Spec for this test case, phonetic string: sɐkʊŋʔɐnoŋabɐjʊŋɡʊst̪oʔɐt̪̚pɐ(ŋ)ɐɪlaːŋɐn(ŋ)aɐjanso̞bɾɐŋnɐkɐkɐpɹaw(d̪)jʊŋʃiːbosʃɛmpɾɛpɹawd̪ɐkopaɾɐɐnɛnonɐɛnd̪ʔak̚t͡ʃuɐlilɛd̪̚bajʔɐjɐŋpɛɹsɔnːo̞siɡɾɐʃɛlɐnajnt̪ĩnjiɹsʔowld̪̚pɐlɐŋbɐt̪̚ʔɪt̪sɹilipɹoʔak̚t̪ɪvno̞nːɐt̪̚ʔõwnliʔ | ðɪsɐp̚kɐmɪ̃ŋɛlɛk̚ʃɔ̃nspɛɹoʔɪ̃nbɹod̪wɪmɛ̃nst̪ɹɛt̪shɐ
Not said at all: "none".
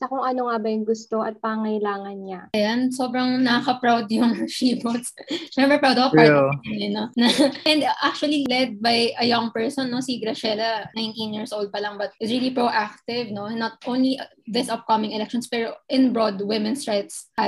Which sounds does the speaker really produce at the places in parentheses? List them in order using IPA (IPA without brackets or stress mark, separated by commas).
ŋ, ɲ, d̪